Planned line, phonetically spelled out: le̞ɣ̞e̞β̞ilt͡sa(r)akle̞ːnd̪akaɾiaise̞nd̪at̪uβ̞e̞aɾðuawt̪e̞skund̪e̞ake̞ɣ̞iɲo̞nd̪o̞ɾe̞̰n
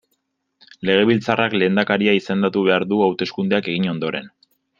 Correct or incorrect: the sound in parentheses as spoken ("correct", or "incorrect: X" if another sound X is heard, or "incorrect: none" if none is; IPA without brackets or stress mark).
correct